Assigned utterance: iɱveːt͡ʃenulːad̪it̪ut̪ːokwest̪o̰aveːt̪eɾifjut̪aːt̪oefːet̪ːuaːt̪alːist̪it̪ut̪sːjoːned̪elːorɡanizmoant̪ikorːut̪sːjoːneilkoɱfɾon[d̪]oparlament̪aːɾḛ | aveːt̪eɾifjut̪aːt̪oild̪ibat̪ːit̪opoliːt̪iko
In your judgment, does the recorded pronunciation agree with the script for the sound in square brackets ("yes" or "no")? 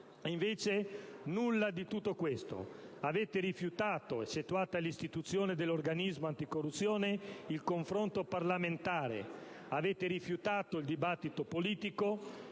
no